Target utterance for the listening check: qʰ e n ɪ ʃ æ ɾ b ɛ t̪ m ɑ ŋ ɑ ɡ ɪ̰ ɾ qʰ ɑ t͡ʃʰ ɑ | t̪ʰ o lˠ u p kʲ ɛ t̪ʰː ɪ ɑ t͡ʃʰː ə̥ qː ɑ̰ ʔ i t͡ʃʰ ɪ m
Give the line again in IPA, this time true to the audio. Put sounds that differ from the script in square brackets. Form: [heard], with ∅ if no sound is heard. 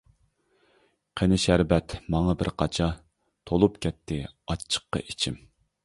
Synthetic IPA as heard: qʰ e n ɪ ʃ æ ɾ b ɛ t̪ m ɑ ŋ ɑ [b] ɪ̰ ɾ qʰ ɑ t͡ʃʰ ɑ | t̪ʰ o lˠ u p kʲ ɛ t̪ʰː ɪ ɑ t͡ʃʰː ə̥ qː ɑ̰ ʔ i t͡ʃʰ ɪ m